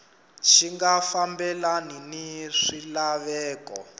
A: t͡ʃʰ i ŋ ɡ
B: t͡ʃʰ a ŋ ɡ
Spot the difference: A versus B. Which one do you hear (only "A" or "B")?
A